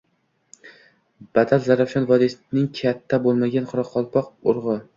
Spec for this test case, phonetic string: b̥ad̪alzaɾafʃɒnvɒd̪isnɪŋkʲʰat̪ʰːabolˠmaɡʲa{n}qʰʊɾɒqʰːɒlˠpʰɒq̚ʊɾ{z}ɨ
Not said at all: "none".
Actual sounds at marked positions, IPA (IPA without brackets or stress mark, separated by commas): n, ʁ